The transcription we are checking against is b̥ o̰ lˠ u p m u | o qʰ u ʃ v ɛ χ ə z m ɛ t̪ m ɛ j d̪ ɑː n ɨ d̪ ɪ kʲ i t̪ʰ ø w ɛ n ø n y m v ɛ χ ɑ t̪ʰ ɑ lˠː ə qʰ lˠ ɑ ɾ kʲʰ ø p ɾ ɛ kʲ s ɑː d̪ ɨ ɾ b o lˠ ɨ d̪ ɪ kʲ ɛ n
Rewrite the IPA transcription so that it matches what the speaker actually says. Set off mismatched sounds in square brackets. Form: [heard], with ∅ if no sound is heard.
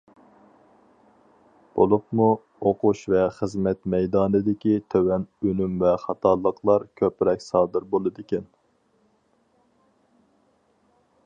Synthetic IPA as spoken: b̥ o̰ lˠ u p m u | o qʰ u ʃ v ɛ χ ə z m ɛ t̪ m ɛ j d̪ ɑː n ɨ d̪ ɪ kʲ i t̪ʰ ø w ɛ n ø n y m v ɛ χ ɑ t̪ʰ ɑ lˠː ə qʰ lˠ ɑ ɾ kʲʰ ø p ɾ ɛ kʲ s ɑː d̪ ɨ ɾ b o lˠ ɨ d̪ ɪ kʲ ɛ n

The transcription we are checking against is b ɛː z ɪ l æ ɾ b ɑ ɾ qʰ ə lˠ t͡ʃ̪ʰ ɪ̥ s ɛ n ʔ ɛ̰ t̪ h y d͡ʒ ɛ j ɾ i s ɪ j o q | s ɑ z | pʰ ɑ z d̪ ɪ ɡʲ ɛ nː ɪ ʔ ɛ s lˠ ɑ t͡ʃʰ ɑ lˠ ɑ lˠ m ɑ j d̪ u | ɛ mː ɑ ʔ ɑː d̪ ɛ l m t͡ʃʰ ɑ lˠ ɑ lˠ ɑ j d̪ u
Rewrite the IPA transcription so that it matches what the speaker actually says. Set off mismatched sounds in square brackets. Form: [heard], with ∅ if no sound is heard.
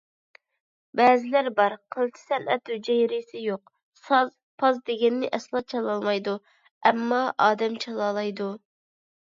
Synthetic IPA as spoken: b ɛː z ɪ l æ ɾ b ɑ ɾ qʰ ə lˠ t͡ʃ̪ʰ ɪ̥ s ɛ n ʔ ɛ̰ t̪ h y d͡ʒ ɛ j ɾ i s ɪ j o q | s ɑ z | pʰ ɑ z d̪ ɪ ɡʲ ɛ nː ɪ ʔ ɛ s lˠ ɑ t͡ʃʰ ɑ lˠ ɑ lˠ m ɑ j d̪ u | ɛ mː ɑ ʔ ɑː d̪ ɛ [∅] m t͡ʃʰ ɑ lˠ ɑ lˠ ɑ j d̪ u

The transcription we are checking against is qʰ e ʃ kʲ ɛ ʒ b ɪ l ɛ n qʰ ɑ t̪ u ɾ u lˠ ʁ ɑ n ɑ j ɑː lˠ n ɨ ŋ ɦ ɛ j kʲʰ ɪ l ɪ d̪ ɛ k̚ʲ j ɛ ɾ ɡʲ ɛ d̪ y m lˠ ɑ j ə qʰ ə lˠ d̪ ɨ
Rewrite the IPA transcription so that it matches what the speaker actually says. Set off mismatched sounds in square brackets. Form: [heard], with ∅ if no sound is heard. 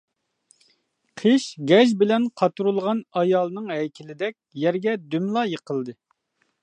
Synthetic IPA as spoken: qʰ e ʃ [ɡʲ] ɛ ʒ b ɪ l ɛ n qʰ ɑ t̪ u ɾ u lˠ ʁ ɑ n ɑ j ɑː lˠ n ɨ ŋ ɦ ɛ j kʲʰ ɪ l ɪ d̪ ɛ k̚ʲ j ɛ ɾ ɡʲ ɛ d̪ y m lˠ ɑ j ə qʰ ə lˠ d̪ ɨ

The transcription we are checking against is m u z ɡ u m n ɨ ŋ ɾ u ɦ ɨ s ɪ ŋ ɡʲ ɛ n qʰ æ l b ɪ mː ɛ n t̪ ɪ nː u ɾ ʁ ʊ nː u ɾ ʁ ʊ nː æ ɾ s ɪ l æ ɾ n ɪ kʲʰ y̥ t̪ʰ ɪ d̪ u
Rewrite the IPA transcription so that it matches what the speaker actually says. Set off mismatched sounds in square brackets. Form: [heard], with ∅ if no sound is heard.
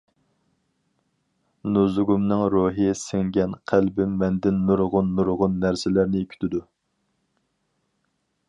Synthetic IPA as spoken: [n] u z ɡ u m n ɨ ŋ ɾ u ɦ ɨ s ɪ ŋ ɡʲ ɛ n qʰ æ l b ɪ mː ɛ n [d̪] ɪ nː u ɾ ʁ ʊ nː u ɾ ʁ ʊ nː æ ɾ s ɪ l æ ɾ n ɪ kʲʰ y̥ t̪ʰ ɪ d̪ u

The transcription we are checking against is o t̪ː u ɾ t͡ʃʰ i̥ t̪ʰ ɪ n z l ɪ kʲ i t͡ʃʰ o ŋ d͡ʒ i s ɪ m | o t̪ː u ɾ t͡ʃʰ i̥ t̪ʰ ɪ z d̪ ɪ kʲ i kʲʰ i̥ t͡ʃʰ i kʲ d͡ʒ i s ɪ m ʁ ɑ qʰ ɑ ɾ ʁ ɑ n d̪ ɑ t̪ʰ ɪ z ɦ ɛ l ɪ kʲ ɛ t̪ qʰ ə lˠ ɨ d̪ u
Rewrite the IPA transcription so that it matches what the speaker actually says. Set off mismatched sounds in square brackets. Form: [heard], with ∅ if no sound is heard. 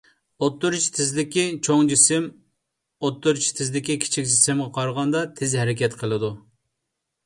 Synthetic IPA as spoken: o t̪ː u ɾ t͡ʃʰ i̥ t̪ʰ ɪ [∅] z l ɪ kʲ i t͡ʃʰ o ŋ d͡ʒ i s ɪ m | o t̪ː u ɾ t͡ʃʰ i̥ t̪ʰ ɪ z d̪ ɪ kʲ i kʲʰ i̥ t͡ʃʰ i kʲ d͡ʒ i s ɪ m ʁ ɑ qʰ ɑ ɾ ʁ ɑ n d̪ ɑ t̪ʰ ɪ z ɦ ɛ [ɾ] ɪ kʲ ɛ t̪ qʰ ə lˠ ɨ d̪ u

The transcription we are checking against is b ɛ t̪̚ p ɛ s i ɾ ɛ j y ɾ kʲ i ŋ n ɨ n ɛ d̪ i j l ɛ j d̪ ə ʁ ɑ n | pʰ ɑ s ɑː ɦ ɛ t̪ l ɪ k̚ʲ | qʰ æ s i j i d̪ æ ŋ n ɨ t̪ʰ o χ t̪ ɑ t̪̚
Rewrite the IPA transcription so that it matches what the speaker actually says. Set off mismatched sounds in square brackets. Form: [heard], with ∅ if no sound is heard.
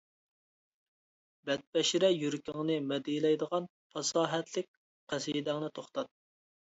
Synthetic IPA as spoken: b ɛ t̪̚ p ɛ [ʃ] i ɾ ɛ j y ɾ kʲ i ŋ n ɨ [m] ɛ d̪ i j l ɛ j d̪ ə ʁ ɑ n | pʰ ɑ s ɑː ɦ ɛ t̪ l ɪ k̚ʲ | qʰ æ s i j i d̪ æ ŋ n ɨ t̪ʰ o χ t̪ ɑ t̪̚

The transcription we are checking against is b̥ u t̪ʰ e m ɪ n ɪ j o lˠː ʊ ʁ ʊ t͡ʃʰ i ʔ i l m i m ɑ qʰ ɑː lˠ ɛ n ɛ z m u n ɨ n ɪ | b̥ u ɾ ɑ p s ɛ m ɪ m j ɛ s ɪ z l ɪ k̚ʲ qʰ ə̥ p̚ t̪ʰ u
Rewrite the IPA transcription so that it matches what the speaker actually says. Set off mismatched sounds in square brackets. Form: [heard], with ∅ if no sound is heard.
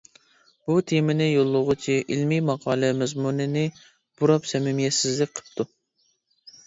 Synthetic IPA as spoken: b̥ u t̪ʰ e m ɪ n ɪ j o lˠː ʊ ʁ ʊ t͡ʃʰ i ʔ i l m i m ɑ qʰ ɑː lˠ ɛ [m] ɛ z m u n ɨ n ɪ | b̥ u ɾ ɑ p s ɛ m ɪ m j ɛ s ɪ z l ɪ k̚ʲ qʰ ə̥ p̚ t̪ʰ u

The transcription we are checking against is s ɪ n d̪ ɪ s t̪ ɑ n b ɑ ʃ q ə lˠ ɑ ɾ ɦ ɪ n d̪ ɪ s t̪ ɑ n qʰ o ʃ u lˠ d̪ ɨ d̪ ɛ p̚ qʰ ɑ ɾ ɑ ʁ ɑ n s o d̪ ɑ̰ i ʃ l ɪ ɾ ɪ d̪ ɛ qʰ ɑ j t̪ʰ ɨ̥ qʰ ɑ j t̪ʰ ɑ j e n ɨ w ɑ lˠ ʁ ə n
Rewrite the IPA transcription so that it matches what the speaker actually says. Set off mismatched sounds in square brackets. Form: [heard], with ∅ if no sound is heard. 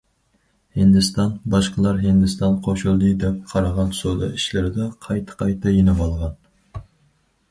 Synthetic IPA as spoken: [h] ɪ n d̪ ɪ s t̪ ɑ n b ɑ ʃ q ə lˠ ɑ ɾ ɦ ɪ n d̪ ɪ s t̪ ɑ n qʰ o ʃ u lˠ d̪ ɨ d̪ ɛ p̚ qʰ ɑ ɾ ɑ ʁ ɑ n s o d̪ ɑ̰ i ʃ l ɪ ɾ ɪ d̪ ɛ qʰ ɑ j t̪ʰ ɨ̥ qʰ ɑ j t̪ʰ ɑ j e n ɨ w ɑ lˠ ʁ [ɑ] n

